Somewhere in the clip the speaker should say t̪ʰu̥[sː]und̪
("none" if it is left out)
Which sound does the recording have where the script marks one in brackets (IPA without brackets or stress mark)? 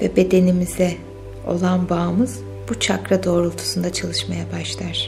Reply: s